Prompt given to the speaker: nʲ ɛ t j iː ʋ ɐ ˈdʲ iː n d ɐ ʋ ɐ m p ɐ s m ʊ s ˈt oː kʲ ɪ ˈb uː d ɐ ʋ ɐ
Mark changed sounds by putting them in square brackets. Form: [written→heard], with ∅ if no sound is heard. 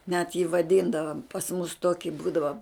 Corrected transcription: nʲ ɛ t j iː ʋ ɐ ˈdʲ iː n d ɐ ʋ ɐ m p ɐ s m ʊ s ˈt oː kʲ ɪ ˈb uː d ɐ ʋ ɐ